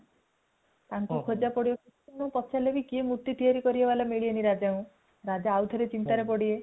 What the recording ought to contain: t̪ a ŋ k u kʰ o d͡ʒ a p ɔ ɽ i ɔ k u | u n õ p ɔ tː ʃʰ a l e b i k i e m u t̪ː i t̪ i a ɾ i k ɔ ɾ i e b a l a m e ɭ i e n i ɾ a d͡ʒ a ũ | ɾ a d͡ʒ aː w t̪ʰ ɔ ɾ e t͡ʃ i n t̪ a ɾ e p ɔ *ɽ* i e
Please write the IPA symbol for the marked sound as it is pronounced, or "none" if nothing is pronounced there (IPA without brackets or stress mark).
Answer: ɽ